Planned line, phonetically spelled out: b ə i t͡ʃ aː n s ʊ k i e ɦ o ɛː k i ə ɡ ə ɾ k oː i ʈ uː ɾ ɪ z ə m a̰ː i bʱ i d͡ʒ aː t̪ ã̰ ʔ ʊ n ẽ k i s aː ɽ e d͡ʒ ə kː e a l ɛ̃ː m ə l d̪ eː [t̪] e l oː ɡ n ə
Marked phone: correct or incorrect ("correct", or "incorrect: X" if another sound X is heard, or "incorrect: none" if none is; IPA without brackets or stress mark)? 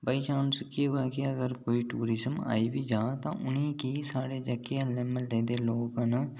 incorrect: d̪